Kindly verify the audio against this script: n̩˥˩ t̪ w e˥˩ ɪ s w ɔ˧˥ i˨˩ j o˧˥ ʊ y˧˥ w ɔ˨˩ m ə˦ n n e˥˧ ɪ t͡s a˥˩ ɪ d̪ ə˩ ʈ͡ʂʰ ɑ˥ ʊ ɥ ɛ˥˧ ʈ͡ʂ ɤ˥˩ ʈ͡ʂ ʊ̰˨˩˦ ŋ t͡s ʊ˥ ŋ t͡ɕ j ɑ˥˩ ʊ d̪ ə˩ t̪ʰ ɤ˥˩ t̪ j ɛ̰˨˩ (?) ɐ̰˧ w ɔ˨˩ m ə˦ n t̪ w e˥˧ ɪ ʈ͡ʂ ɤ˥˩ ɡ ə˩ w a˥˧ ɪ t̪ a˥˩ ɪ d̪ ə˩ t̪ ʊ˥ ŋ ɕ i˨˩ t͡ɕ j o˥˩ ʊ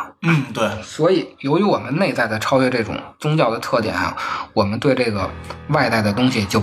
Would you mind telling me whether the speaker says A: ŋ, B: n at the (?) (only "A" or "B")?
B